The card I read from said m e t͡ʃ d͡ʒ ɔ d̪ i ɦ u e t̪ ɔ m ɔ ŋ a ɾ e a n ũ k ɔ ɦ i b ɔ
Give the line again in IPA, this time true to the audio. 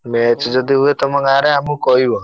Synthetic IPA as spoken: m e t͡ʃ d͡ʒ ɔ d̪ i ɦ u e t̪ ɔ m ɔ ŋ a ɾ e a m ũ k ɔ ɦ i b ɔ